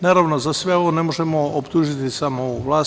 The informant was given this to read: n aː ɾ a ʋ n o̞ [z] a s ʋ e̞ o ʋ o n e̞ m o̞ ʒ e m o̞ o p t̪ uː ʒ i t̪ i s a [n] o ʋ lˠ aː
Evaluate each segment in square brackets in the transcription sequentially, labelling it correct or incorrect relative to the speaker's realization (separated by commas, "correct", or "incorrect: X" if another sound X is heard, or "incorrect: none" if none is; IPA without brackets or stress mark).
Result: correct, incorrect: m